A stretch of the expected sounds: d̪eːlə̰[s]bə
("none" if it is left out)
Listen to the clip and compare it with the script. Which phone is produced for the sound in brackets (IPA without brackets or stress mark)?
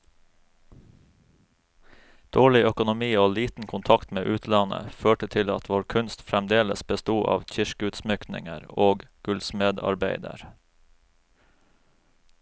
s